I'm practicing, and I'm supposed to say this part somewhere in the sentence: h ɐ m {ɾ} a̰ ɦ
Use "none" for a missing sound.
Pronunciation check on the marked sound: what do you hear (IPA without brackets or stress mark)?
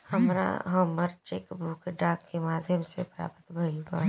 ɾ